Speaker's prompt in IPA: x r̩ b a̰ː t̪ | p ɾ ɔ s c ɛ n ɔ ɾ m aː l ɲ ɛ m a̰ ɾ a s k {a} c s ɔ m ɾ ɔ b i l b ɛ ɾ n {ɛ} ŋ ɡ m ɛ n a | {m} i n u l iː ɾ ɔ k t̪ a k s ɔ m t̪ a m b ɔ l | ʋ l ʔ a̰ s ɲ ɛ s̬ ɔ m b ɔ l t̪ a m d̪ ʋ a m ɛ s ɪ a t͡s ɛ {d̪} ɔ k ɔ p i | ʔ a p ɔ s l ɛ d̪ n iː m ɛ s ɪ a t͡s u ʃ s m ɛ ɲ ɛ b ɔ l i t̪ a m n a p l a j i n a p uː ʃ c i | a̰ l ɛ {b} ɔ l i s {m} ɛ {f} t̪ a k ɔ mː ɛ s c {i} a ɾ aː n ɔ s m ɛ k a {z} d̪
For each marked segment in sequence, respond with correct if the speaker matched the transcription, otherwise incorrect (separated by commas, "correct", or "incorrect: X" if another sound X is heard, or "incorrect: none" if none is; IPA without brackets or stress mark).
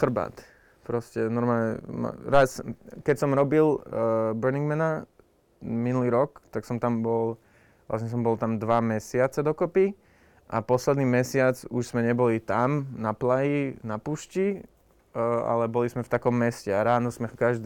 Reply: incorrect: ɛ, incorrect: i, correct, correct, correct, correct, correct, incorrect: ɛ, incorrect: ʒ